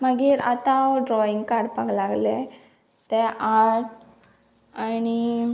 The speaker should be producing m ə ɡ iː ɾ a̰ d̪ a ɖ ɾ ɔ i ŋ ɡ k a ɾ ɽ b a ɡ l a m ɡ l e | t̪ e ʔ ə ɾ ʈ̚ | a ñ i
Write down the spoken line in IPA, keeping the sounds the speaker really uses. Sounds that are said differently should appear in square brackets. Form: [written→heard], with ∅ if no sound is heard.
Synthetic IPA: m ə ɡ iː ɾ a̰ [d̪→t̪] a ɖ ɾ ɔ i ŋ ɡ k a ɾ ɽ [b→p] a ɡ l a [m→∅] ɡ l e | t̪ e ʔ [ə→a] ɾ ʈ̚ | a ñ i